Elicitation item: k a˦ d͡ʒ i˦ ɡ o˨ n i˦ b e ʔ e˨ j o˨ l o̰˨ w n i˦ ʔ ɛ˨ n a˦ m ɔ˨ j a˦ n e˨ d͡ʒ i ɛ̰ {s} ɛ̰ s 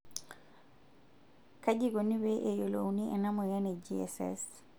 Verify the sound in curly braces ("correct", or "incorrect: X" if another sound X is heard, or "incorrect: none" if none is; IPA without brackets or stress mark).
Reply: correct